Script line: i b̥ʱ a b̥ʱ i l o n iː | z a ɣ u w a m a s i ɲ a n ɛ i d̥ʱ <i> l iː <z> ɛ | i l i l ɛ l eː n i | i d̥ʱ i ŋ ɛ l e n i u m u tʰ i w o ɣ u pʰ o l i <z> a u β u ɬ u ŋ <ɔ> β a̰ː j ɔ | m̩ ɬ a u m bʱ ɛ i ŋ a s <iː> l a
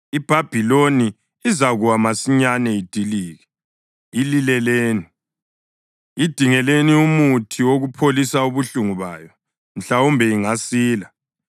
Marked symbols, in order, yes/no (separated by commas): yes, no, no, no, yes